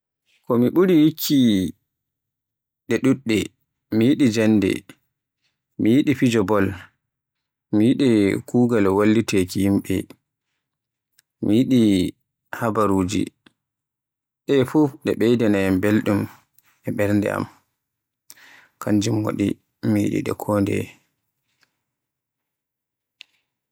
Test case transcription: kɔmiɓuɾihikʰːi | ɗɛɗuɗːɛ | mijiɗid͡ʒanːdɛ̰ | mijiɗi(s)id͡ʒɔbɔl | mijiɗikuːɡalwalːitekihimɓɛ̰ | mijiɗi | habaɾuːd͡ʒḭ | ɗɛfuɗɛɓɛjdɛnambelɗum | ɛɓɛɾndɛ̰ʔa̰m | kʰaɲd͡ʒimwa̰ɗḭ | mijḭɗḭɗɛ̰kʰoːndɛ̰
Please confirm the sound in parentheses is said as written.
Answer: no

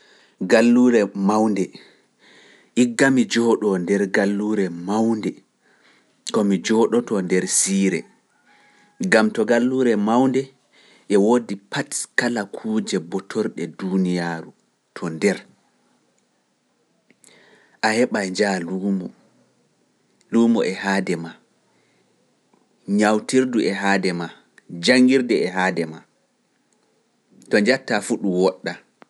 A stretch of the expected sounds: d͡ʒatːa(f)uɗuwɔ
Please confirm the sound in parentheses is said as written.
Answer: yes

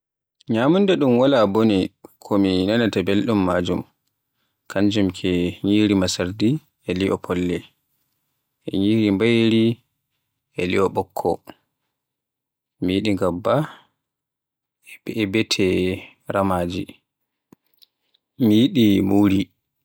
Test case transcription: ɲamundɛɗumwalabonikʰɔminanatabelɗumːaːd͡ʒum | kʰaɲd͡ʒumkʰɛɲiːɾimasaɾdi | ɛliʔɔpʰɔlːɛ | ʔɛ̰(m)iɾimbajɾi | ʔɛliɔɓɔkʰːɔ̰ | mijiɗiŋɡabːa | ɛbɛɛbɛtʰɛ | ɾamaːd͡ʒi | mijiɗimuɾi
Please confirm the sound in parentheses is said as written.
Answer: no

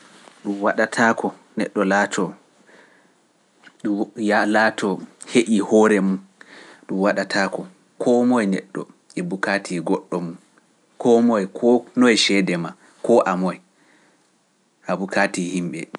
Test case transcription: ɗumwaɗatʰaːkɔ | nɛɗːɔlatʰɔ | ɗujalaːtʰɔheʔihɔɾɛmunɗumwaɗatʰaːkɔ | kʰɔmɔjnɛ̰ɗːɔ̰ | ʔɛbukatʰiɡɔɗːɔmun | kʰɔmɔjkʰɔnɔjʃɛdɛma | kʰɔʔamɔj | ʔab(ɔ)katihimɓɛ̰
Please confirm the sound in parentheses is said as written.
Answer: no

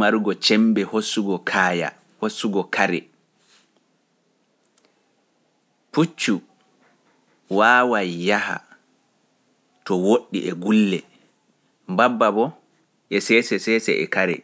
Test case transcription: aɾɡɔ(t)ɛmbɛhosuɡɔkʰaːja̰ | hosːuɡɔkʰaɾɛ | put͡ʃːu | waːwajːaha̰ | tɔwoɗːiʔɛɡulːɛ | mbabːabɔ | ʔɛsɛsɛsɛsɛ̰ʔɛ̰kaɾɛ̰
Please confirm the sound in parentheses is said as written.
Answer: no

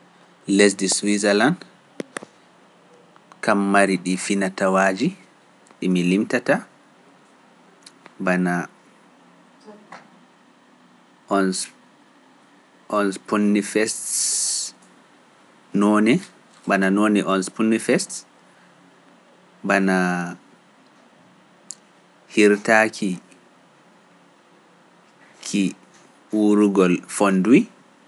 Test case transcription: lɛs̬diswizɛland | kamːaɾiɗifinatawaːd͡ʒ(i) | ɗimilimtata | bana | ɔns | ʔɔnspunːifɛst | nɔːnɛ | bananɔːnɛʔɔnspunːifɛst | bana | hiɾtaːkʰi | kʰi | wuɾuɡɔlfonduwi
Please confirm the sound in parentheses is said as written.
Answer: yes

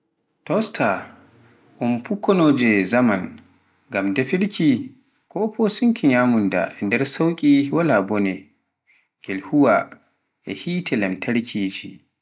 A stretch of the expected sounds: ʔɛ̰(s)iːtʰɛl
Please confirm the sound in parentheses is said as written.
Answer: no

